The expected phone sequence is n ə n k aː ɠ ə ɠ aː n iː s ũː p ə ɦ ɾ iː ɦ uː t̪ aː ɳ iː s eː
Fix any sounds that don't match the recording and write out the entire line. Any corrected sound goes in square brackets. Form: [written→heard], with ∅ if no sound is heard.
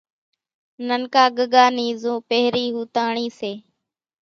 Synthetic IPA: n ə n k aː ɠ ə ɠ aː n iː [s→z] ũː p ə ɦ ɾ iː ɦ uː t̪ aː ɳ iː s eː